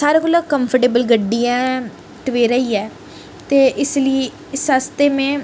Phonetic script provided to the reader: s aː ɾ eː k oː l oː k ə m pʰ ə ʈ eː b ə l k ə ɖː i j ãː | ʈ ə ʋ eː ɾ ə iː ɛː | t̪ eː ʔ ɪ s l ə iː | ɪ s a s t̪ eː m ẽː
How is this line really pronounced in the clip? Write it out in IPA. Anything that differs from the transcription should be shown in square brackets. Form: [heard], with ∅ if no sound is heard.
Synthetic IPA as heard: s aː ɾ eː k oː l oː k ə m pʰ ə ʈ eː b ə l [ɡ] ə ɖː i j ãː | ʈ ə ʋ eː ɾ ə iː ɛː | t̪ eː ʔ ɪ s l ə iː | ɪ s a s t̪ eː m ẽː